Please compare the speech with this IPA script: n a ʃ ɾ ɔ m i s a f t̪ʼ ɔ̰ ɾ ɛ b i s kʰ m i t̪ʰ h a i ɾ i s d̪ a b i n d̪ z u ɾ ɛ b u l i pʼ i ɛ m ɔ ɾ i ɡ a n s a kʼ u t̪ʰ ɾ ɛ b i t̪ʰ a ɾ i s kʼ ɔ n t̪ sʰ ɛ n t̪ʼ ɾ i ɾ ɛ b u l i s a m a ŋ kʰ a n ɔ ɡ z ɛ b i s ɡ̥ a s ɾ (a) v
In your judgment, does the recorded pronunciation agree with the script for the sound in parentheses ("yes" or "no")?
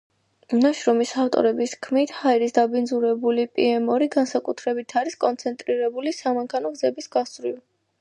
no